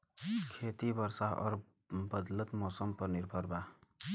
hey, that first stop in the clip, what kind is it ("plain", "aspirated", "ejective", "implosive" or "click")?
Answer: aspirated